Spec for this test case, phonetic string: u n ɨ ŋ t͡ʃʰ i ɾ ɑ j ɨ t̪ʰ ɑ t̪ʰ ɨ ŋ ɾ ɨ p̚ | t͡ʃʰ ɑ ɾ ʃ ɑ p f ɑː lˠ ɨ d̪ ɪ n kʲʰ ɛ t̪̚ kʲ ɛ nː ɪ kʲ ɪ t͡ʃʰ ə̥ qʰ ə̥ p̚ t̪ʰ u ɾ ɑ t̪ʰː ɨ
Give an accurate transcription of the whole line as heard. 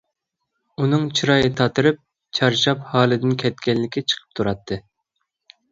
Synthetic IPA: u n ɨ ŋ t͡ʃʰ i ɾ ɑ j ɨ t̪ʰ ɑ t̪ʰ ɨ ɾ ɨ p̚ | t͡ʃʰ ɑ ɾ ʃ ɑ p h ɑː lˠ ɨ d̪ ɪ n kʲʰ ɛ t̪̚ kʲ ɛ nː ɪ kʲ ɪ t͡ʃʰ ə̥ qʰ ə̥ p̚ t̪ʰ u ɾ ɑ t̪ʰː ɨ